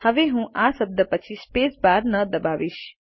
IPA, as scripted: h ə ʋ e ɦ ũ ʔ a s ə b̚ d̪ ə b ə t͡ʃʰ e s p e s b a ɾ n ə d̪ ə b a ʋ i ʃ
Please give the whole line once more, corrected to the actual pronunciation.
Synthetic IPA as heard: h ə ʋ e ɦ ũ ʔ a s ə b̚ d̪ ə p ə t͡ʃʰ i s p e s b a ɾ n ə d̪ ə b a ʋ i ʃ